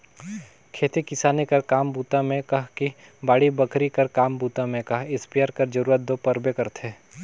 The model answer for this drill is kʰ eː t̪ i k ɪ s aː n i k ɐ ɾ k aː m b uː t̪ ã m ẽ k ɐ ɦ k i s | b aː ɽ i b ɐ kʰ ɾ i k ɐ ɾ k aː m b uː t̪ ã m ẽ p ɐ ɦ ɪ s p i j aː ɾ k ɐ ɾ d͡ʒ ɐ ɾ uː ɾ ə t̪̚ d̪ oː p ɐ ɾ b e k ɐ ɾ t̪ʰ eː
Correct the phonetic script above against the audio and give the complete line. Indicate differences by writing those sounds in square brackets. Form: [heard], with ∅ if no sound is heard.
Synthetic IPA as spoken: kʰ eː t̪ i k ɪ s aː n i k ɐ ɾ k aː m b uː t̪ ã m ẽ k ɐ ɦ k i [∅] | b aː ɽ i b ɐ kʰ ɾ i k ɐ ɾ k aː m b uː t̪ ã m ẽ [k] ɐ ɦ ɪ s p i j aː ɾ k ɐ ɾ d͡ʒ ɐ ɾ uː ɾ ə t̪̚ d̪ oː p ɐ ɾ b e k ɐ ɾ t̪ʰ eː